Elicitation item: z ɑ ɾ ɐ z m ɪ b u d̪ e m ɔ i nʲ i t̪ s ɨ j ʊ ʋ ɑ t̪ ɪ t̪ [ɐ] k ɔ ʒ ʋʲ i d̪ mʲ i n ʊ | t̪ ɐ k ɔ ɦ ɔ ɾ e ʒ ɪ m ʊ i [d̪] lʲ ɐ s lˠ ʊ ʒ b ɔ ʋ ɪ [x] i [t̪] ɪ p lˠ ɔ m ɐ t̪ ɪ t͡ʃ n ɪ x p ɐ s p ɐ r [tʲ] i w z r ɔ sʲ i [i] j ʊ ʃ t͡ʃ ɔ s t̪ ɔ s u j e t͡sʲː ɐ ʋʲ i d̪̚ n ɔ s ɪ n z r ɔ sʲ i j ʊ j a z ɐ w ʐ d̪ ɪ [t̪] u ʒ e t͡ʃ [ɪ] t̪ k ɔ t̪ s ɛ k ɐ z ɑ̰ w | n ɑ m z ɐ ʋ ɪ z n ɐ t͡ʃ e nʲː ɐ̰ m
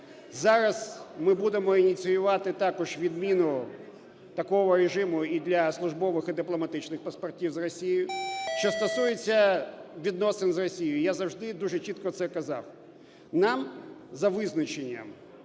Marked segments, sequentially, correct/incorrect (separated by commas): incorrect, correct, correct, incorrect, correct, incorrect, incorrect, incorrect